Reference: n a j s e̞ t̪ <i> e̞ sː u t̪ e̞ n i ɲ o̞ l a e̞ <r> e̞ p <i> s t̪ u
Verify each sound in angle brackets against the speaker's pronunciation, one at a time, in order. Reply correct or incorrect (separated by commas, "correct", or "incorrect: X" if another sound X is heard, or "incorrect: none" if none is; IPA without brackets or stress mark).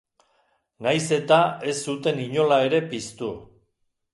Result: incorrect: a, incorrect: ɾ, correct